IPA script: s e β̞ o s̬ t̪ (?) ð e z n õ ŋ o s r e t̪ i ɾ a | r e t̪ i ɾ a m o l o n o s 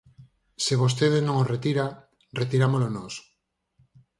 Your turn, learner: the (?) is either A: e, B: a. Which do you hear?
A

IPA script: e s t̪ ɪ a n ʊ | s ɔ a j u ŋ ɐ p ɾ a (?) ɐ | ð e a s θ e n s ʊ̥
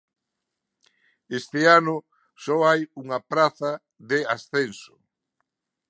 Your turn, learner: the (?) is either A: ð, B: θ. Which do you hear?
B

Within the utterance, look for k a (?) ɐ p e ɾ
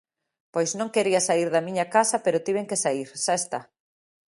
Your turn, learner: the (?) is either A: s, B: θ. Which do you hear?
A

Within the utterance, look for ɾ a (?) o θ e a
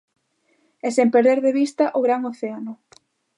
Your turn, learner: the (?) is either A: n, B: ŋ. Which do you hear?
B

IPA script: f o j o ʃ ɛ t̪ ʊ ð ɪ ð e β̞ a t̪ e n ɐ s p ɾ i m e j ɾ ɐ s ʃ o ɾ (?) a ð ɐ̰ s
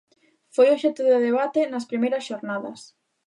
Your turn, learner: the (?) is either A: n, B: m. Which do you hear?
A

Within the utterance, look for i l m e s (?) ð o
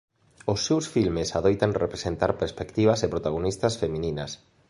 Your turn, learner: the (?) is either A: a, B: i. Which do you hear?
A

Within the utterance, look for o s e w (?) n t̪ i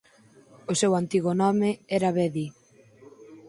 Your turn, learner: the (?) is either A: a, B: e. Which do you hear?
A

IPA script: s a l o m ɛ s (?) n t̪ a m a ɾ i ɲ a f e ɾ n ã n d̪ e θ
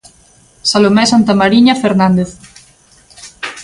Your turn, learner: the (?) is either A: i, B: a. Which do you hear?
B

